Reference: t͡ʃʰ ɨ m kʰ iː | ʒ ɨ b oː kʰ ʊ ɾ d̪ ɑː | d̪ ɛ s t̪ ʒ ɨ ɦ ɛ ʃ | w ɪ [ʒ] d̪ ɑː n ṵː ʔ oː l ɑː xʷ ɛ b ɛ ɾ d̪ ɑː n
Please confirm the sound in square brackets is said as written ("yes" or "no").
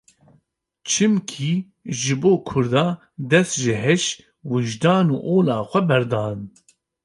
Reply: yes